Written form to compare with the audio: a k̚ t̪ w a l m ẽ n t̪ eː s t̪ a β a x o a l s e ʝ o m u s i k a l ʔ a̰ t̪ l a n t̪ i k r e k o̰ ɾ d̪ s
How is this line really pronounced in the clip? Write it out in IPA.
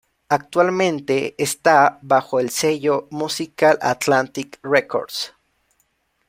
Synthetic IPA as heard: a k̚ t̪ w a l m ẽ n t̪ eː s t̪ a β a x o e l s e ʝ o m u s i k a l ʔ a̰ t̪ l a n t̪ i k r e k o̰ ɾ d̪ s